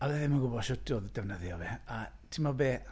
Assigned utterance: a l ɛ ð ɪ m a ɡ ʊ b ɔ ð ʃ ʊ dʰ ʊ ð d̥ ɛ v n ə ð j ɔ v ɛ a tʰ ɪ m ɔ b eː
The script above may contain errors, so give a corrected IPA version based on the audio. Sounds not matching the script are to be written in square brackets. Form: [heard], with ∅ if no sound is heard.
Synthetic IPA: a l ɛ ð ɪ m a ɡ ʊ b ɔ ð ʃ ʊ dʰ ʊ ð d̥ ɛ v n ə ð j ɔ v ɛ a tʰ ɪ m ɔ b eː